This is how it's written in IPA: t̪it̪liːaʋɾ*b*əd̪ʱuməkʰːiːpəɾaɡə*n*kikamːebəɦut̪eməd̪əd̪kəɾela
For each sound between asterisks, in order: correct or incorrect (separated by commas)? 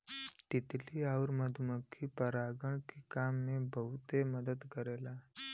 incorrect, incorrect